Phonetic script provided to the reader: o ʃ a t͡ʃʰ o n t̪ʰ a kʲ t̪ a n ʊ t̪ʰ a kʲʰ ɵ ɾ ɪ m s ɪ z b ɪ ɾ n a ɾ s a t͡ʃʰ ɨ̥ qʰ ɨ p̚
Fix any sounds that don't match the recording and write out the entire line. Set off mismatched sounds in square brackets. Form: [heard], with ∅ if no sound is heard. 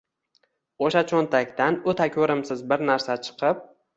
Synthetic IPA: o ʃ a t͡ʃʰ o n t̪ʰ a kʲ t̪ a n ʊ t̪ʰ a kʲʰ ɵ ɾ ɪ m s ɪ z b ɪ ɾ n a ɾ s a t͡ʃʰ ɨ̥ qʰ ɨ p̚

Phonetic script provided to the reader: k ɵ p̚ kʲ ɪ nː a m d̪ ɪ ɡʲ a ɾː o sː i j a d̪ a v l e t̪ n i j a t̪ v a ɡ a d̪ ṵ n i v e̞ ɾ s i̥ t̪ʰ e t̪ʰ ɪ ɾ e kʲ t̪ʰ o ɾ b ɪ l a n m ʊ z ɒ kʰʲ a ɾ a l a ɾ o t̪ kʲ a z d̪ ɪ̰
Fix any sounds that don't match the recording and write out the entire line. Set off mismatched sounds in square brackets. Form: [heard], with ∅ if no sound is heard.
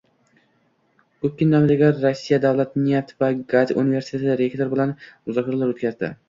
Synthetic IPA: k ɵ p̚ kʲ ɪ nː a m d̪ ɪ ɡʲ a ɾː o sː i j a d̪ a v l [a] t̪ n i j a t̪ v a ɡ a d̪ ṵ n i v e̞ ɾ s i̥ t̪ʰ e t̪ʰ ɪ ɾ e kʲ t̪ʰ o ɾ b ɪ l a n m ʊ z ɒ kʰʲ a ɾ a l a ɾ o t̪ kʲ a z d̪ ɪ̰

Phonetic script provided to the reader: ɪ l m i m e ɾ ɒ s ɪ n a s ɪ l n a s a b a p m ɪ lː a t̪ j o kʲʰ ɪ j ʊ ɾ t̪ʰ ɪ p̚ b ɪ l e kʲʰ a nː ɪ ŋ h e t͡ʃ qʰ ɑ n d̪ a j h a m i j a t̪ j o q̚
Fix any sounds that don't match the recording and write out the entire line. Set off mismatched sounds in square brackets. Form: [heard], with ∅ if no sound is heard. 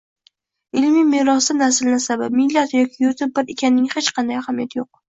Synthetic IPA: ɪ l m i m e ɾ ɒ s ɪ n a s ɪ l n a s a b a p m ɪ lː a t̪ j [ɒ] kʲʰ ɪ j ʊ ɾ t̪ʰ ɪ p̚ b ɪ [ɾ] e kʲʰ a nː ɪ ŋ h e t͡ʃ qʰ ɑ n d̪ a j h a m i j a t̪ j o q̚

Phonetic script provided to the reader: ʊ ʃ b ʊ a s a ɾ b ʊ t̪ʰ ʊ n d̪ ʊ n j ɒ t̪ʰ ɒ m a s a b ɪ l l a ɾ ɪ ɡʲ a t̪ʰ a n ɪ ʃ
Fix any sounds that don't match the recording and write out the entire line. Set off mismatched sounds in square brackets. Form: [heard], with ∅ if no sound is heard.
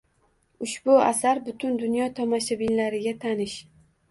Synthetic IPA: ʊ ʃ b ʊ a s a ɾ b ʊ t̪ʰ ʊ n d̪ ʊ n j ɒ t̪ʰ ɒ m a [ʃ] a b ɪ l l a ɾ ɪ ɡʲ a t̪ʰ a n ɪ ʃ

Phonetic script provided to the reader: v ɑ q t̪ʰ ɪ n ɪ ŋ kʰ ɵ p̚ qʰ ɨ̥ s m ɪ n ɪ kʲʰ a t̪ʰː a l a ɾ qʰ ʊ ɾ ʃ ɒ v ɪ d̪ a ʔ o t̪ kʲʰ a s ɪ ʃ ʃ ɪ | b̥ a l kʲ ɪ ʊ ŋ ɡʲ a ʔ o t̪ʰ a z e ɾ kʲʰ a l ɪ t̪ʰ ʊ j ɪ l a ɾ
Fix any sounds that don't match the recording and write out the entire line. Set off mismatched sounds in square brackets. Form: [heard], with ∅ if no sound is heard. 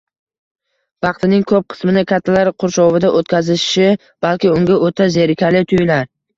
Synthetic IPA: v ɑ q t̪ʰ ɪ n ɪ ŋ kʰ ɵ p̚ qʰ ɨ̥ s m ɪ n ɪ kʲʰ a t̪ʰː a l a ɾ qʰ ʊ ɾ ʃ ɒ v ɪ d̪ a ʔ o t̪ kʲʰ a [z] ɪ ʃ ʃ ɪ | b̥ a l kʲ ɪ ʊ ŋ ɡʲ a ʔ o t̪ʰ a z e ɾ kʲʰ a l ɪ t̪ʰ ʊ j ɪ l a ɾ

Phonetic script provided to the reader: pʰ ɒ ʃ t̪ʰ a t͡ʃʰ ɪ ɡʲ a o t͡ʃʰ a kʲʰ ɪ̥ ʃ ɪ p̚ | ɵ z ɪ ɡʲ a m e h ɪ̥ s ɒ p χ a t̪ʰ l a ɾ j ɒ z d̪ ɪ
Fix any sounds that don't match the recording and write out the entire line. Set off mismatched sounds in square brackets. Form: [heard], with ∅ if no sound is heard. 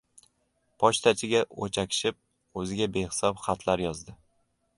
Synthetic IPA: pʰ ɒ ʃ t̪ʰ a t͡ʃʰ ɪ ɡʲ a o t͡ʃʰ a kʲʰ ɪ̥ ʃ ɪ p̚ | ɵ z ɪ ɡʲ a [b] e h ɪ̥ s ɒ p χ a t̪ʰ l a ɾ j ɒ z d̪ ɪ

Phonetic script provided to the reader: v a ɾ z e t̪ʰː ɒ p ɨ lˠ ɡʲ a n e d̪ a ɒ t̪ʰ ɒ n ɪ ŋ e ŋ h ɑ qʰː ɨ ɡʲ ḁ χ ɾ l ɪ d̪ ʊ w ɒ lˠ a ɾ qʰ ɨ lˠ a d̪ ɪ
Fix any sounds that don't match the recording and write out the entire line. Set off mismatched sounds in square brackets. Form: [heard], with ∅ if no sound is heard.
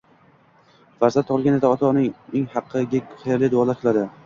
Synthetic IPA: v a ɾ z [a] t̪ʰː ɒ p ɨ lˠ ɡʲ a n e d̪ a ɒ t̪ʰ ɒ n ɪ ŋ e ŋ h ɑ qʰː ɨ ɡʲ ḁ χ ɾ l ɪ d̪ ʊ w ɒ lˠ a ɾ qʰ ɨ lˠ a d̪ ɪ

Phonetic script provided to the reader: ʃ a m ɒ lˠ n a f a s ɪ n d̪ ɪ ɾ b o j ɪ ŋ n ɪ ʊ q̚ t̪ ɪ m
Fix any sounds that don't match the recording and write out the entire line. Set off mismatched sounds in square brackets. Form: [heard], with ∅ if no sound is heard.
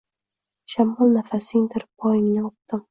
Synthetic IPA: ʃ a m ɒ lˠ n a f a s ɪ [ŋ] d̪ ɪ ɾ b [ɒ] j ɪ ŋ n ɪ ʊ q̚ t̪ ɪ m

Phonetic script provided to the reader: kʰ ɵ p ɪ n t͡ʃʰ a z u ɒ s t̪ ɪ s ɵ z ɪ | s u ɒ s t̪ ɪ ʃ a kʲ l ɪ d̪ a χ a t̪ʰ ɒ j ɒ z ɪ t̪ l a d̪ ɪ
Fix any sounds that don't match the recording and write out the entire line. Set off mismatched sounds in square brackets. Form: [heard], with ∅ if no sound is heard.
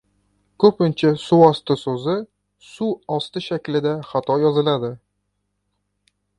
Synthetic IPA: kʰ ɵ p ɪ n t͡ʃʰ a [s] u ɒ s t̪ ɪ s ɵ z ɪ | s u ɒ s t̪ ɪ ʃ a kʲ l ɪ d̪ a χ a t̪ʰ ɒ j ɒ z ɪ [∅] l a d̪ ɪ

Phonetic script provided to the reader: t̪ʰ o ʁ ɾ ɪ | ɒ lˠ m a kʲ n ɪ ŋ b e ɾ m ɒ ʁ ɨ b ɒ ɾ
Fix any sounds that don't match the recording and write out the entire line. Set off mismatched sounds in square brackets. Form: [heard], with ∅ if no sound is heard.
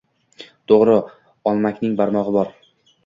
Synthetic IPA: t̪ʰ o ʁ ɾ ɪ | ɒ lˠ m a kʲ n ɪ ŋ b [a] ɾ m ɒ ʁ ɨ b ɒ ɾ

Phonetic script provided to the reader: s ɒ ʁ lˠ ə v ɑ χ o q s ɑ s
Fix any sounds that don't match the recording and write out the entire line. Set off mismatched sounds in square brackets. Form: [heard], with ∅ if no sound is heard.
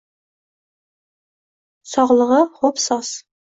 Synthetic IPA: s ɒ ʁ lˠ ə [ʁ] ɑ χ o [p] s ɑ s

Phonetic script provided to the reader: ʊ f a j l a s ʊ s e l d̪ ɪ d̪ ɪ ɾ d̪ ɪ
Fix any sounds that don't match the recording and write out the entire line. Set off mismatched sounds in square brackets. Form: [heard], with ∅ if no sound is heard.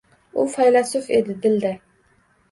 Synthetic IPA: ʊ f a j l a s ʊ [f] e [∅] d̪ ɪ d̪ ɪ [l] d̪ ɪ

